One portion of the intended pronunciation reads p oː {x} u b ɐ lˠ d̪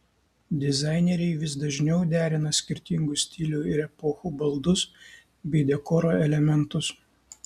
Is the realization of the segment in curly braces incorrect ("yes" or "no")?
no